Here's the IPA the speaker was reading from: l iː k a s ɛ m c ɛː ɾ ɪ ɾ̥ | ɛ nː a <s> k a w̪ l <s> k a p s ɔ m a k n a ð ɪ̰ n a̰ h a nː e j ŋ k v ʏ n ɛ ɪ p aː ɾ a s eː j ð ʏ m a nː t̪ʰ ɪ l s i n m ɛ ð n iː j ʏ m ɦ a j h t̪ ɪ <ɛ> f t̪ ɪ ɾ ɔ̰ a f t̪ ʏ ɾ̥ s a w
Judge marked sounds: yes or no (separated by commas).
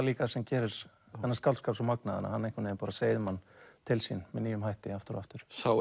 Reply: yes, yes, no